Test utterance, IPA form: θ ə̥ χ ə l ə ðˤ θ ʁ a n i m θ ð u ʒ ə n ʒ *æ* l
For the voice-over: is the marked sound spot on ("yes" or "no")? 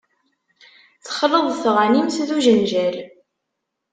yes